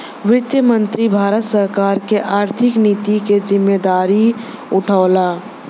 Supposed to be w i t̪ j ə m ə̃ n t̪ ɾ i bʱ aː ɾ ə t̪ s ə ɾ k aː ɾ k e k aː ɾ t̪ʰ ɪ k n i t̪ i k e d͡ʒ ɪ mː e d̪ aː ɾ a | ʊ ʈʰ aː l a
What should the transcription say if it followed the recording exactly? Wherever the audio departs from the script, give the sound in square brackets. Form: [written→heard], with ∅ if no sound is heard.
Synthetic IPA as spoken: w [i→ɪ] t̪ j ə m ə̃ n t̪ ɾ i bʱ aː ɾ ə t̪ s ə ɾ k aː ɾ k e [k→ʔ] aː ɾ t̪ʰ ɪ k n i t̪ i k e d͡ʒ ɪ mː e d̪ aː ɾ [a→i] | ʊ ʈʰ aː l a